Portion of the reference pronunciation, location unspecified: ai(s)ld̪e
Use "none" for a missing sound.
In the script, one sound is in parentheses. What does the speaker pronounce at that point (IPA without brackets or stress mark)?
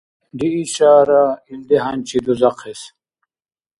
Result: none